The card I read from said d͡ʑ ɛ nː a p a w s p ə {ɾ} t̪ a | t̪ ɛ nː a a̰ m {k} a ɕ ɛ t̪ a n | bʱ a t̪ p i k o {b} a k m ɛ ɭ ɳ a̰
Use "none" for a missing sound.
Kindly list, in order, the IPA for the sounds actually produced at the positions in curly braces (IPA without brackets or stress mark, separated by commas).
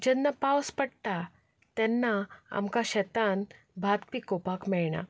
ɽ, k, p